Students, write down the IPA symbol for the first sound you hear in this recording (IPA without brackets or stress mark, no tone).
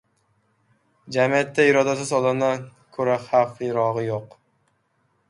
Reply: d͡ʒ